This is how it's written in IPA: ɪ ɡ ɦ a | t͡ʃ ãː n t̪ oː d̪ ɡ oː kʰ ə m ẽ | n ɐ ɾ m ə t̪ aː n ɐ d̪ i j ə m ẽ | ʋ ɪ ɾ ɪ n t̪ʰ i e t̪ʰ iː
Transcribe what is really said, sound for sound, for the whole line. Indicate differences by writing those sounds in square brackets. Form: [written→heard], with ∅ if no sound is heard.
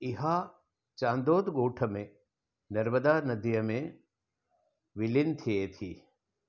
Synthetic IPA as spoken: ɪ [ɡ→∅] ɦ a | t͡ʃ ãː n [t̪→d̪] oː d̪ ɡ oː [kʰ→ʈʰ] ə m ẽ | n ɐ ɾ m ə [t̪→d̪] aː n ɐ d̪ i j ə m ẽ | ʋ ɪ [ɾ→l] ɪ n t̪ʰ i e t̪ʰ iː